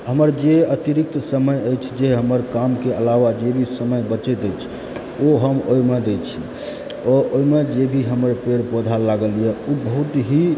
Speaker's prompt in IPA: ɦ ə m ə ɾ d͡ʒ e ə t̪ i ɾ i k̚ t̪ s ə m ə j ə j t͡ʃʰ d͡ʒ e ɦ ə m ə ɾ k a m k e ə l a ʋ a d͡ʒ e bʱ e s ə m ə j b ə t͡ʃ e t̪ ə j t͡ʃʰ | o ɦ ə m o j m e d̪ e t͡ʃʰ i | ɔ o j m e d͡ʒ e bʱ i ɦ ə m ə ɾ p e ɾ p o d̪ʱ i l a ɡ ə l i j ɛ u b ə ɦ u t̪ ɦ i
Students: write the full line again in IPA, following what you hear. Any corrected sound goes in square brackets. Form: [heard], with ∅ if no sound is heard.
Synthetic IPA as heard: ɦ ə m ə ɾ d͡ʒ e ə t̪ i ɾ i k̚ t̪ s ə m ə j ə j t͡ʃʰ d͡ʒ e ɦ ə m ə ɾ k a m k e ə l a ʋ a d͡ʒ e bʱ [i] s ə m ə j b ə t͡ʃ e t̪ ə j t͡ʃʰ | o ɦ ə m o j m e d̪ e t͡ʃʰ i | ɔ o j m e d͡ʒ e bʱ i ɦ ə m ə ɾ p e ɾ p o d̪ʱ [a] l a ɡ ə l i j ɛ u b ə ɦ u t̪ ɦ i